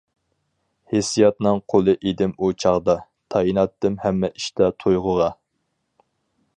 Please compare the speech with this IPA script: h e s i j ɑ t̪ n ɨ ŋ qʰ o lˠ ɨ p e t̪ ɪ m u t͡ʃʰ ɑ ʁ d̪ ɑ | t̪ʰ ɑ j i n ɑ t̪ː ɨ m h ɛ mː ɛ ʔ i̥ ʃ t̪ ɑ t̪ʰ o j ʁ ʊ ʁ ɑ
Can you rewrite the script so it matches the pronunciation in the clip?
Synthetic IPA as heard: h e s i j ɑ t̪ n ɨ ŋ qʰ o lˠ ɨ ʔ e d̪ ɪ m u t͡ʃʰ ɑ ʁ d̪ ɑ | t̪ʰ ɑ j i n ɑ t̪ː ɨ m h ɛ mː ɛ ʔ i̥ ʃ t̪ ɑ t̪ʰ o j ʁ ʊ ʁ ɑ